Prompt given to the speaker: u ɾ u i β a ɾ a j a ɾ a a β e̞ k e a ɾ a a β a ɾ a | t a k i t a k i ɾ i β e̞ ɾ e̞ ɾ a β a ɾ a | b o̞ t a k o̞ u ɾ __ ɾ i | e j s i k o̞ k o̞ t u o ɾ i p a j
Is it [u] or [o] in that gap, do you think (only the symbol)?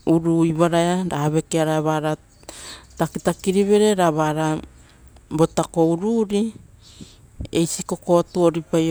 u